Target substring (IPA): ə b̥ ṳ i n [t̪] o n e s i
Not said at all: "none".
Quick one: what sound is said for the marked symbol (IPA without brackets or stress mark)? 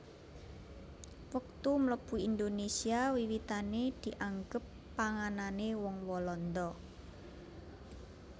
d̪